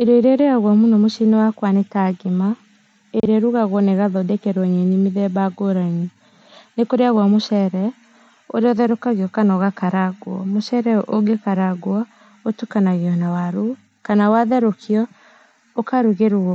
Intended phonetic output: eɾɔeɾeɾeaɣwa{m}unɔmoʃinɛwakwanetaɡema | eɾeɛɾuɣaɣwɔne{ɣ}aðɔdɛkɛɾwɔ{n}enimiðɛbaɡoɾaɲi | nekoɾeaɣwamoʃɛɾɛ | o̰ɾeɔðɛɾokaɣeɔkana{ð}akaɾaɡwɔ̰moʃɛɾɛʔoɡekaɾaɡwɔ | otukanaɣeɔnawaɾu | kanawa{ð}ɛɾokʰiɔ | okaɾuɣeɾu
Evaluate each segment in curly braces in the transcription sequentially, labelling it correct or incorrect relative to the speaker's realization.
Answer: correct, correct, incorrect: ɲ, incorrect: ɣ, correct

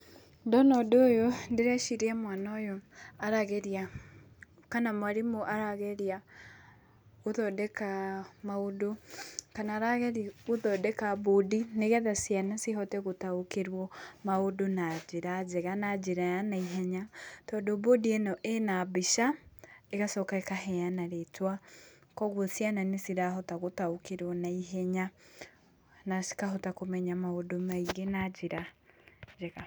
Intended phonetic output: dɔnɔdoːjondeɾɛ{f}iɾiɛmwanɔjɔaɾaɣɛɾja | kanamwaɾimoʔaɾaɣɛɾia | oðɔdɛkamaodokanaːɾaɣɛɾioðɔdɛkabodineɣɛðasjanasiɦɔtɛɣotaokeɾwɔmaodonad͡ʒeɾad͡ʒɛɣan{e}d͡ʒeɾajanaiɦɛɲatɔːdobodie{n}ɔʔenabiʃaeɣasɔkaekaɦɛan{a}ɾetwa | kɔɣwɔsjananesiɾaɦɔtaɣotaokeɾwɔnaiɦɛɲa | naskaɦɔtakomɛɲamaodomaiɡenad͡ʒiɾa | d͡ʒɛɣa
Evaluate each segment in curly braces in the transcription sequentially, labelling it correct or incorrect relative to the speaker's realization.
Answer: incorrect: ʃ, incorrect: a, correct, correct

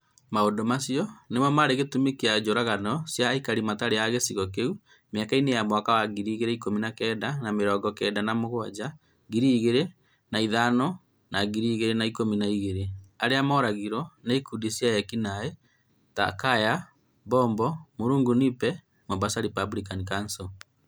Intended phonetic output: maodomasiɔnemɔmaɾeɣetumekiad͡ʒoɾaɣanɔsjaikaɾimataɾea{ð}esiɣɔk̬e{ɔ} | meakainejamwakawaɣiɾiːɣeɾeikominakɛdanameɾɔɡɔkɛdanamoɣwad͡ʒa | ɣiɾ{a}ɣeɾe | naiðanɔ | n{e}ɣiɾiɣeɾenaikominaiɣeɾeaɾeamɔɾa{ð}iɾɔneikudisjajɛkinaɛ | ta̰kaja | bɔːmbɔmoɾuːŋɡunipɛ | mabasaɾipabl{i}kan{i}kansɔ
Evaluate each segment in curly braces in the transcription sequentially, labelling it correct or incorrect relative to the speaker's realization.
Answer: incorrect: ɣ, incorrect: u, incorrect: i, incorrect: a, incorrect: ɣ, correct, correct

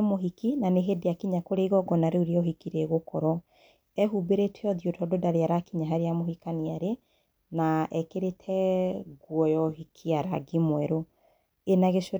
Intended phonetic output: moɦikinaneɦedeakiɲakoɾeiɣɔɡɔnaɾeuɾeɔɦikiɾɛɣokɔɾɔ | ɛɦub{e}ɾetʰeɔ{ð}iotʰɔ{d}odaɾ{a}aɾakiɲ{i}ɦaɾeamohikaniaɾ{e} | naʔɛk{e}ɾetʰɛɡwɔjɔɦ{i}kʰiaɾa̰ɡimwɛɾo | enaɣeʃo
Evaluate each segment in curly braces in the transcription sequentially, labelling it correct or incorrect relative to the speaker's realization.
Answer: correct, correct, correct, incorrect: e, incorrect: a, correct, correct, correct

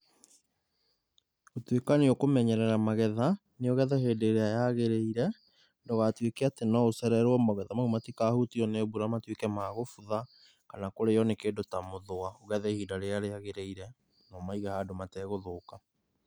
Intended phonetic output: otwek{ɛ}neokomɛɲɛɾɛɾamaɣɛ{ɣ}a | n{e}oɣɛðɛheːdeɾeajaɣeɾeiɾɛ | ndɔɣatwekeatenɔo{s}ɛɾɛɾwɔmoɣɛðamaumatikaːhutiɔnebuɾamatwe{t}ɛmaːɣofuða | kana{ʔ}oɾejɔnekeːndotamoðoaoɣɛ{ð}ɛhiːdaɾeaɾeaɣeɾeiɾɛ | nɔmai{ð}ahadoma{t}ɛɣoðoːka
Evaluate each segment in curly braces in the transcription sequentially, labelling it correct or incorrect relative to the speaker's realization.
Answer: incorrect: a, incorrect: ð, correct, correct, incorrect: k, incorrect: k, correct, incorrect: ɣ, correct

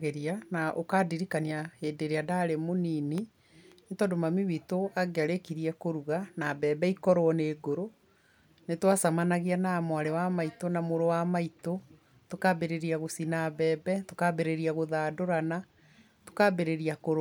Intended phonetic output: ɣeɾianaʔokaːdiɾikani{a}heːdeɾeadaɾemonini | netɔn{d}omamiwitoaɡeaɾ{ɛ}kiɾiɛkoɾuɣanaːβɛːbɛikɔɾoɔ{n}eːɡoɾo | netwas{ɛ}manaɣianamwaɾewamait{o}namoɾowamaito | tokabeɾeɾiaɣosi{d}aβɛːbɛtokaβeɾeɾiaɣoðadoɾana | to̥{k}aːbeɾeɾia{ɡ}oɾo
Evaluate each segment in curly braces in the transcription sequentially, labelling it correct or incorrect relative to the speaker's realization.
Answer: correct, correct, incorrect: e, correct, incorrect: a, correct, incorrect: n, correct, incorrect: k

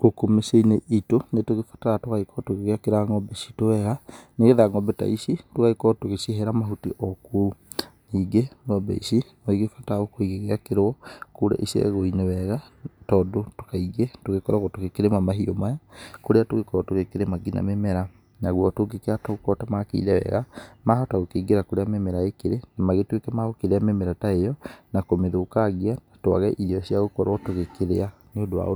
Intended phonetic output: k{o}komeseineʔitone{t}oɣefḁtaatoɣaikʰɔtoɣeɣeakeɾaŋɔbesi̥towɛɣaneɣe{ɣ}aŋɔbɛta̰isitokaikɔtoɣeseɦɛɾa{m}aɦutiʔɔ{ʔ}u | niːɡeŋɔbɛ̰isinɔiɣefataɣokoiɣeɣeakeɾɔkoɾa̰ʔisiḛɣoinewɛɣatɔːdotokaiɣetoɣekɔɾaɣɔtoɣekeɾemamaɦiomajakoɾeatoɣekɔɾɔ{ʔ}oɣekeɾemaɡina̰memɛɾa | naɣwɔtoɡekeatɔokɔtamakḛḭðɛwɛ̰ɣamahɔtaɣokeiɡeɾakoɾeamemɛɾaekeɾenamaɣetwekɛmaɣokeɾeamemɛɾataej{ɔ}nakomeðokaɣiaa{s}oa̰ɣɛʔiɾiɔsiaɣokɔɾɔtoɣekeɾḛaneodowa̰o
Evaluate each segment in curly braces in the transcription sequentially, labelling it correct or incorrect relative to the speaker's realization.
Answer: correct, correct, incorrect: ð, correct, incorrect: k, incorrect: t, correct, incorrect: t

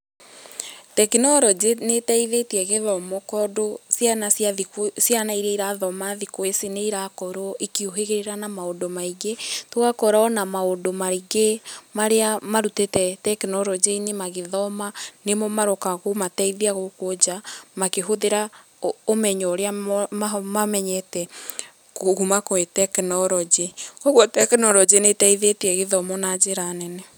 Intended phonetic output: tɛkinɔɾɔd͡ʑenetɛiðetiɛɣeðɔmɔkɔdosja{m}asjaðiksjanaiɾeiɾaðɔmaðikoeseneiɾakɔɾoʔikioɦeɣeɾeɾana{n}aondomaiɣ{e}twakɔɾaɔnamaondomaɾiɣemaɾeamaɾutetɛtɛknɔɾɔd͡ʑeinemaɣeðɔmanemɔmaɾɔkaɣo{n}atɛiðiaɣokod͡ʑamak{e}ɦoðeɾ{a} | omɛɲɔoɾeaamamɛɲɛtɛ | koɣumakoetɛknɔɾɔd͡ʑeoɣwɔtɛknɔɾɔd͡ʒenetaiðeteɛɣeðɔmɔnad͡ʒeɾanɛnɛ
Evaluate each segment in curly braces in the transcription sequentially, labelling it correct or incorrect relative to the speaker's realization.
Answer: incorrect: n, incorrect: m, correct, incorrect: m, correct, correct

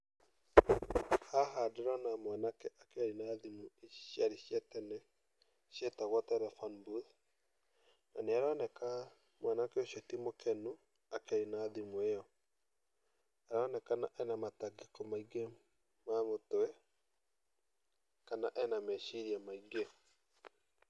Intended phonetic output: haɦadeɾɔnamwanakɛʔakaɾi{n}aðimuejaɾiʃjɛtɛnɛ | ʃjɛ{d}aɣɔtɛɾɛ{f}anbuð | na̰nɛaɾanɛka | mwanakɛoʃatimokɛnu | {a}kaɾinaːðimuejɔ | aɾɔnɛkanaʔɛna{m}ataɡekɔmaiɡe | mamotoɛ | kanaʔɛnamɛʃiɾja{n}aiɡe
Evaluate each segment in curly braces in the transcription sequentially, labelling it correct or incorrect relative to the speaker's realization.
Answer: correct, incorrect: t, correct, correct, correct, incorrect: m

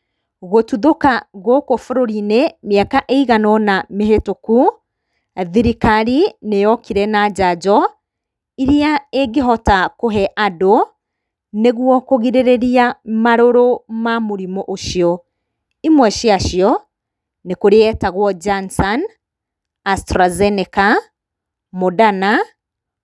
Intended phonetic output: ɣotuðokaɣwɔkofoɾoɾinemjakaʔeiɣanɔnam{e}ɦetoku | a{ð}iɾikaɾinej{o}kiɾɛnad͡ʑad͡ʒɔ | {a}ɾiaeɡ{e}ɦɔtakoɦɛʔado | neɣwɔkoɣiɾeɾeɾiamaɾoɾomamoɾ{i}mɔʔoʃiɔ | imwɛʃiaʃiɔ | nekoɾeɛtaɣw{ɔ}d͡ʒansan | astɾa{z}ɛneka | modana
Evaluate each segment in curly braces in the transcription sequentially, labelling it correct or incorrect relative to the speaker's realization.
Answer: correct, correct, incorrect: ɔ, incorrect: i, correct, correct, correct, correct

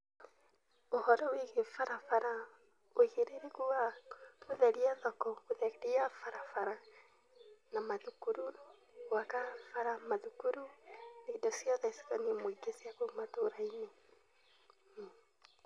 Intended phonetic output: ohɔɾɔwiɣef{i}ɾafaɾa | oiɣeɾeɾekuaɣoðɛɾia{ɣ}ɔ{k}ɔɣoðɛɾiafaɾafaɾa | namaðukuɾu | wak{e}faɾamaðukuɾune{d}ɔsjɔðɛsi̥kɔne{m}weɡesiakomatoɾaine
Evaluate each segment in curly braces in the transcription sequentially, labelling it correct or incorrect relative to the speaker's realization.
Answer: incorrect: a, incorrect: ð, correct, incorrect: a, correct, correct

